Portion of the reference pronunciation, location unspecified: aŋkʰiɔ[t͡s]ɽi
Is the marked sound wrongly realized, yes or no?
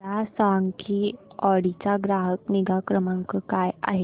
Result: yes